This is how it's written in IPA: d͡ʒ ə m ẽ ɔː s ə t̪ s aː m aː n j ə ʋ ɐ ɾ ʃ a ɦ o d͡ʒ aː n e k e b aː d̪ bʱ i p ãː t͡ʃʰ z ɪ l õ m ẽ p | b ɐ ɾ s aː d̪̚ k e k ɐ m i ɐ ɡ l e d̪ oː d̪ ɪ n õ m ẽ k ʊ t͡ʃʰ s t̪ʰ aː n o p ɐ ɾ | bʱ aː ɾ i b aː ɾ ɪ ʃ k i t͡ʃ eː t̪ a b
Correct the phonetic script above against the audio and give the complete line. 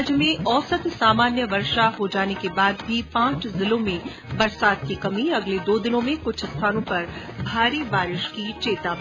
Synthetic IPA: d͡ʒ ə m ẽ ɔː s ə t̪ s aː m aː n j ə ʋ ɐ ɾ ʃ a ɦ o d͡ʒ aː n e k e b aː d̪ bʱ i p ãː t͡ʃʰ z ɪ l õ m ẽ | b ɐ ɾ s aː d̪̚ k i k ɐ m i ɐ ɡ l e d̪ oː d̪ ɪ n õ m ẽ k ʊ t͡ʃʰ s t̪ʰ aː n õ p ɐ ɾ | bʱ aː ɾ i b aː ɾ ɪ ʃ k i t͡ʃ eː t̪ a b